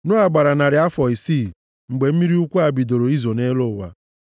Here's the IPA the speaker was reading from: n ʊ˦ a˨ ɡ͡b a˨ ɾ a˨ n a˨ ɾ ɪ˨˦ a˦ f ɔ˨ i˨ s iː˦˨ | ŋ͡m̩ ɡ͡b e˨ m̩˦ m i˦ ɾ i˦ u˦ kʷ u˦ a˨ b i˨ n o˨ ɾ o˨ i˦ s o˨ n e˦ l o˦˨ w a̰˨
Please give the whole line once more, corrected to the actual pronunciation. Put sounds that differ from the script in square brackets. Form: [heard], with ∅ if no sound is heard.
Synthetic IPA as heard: n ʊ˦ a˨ ɡ͡b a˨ ɾ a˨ n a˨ ɾ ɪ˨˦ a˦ f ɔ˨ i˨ s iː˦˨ | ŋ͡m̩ ɡ͡b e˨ m̩˦ m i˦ ɾ i˦ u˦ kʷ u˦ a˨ b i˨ [d] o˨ ɾ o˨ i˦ [z] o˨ n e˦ l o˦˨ w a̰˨